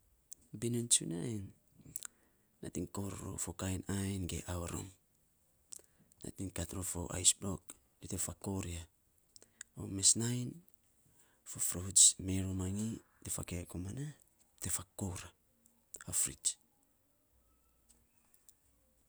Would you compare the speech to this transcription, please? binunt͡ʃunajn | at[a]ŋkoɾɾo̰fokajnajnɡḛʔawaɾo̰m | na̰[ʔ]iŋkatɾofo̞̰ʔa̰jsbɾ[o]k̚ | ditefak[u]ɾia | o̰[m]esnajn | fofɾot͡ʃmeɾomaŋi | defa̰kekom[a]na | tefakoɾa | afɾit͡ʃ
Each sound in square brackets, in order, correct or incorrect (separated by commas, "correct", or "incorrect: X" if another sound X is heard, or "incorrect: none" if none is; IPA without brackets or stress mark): incorrect: i, incorrect: t, correct, incorrect: o, correct, correct